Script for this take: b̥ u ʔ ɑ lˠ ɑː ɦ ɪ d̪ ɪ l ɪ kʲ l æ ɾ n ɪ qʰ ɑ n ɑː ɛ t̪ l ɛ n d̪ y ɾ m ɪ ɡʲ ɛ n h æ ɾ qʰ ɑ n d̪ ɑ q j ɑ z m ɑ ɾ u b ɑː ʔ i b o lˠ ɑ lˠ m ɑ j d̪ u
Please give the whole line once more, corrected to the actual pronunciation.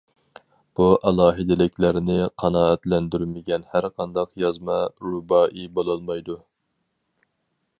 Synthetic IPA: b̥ u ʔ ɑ lˠ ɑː ɦ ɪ d̪ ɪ l ɪ kʲ l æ ɾ n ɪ qʰ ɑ n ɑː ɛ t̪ l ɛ n d̪ y ɾ m ɪ ɡʲ ɛ n h æ ɾ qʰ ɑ n d̪ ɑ q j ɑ z m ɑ ɾ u b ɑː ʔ i b o lˠ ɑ lˠ m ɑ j d̪ u